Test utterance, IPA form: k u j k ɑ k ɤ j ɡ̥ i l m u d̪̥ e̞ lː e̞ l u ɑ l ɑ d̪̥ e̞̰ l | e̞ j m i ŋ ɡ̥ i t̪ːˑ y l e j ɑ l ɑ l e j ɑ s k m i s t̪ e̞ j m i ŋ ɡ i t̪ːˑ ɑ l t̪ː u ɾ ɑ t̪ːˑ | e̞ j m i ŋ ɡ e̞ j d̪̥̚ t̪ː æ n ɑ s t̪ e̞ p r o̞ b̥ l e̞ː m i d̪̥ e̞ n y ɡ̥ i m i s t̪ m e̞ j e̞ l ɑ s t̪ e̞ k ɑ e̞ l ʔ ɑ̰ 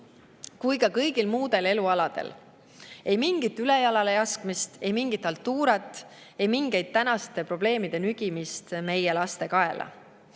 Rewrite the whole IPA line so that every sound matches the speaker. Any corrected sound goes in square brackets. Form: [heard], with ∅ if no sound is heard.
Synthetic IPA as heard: k u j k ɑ k ɤ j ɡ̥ i l m [uː] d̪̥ e̞ [l] e̞ l u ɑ l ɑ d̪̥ e̞̰ l | e̞ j m i ŋ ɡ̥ i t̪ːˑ y l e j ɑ l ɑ l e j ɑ s k m i s t̪ e̞ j m i ŋ ɡ i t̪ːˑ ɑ l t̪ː [uː] ɾ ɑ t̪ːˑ | e̞ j m i ŋ ɡ e̞ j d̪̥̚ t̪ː æ n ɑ s t̪ e̞ p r o̞ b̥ l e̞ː m i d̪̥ e̞ n y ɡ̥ i m i s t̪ m e̞ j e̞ l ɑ s t̪ e̞ k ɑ e̞ l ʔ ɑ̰